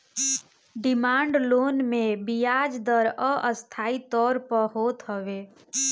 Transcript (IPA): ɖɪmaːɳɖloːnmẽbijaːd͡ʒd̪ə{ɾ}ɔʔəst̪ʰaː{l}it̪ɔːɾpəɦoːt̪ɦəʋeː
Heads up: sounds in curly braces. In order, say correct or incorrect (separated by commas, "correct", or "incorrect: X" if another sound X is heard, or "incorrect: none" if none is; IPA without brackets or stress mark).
correct, incorrect: none